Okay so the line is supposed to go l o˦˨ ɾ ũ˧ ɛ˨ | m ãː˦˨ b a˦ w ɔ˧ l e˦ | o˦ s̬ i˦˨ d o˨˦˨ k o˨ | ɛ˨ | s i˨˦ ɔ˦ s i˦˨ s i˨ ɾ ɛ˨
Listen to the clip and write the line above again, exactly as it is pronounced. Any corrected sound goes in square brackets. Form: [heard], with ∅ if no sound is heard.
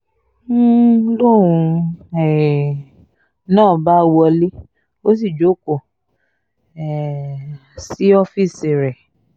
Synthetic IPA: l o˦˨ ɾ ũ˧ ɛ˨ | [n] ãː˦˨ b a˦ w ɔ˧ l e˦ | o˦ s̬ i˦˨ [d͡ʒ] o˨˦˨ k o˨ | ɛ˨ | s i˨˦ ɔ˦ [f] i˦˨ s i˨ ɾ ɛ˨